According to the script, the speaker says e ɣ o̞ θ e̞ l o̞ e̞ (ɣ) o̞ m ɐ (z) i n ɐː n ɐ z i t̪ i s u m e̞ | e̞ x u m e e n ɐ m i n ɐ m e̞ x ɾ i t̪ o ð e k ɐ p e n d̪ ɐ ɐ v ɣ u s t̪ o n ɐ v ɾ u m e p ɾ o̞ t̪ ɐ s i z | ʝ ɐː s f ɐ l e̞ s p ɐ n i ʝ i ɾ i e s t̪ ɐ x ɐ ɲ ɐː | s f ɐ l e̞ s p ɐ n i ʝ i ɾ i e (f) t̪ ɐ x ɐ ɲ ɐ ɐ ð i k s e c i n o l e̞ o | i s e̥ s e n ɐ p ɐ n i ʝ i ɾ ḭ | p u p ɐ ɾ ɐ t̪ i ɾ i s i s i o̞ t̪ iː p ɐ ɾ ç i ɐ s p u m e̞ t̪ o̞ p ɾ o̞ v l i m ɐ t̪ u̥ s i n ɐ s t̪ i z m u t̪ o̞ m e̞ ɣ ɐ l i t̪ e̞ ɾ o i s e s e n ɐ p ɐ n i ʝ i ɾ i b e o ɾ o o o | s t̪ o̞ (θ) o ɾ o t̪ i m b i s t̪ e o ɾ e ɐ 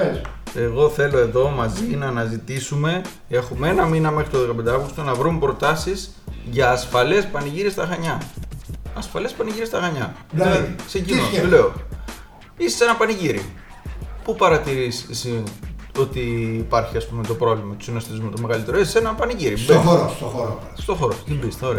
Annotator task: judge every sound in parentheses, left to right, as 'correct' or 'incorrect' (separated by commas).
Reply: incorrect, correct, incorrect, incorrect